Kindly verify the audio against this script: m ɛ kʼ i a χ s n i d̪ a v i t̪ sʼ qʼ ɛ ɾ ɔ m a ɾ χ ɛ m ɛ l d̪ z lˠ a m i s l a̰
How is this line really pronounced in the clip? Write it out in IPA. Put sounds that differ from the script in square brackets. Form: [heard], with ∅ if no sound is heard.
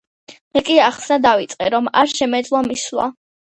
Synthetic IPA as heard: m ɛ kʼ i a χ s n [a] d̪ a v i t̪ sʼ qʼ ɛ ɾ ɔ m a ɾ [ʃ] ɛ m ɛ [∅] d̪ z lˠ a m i s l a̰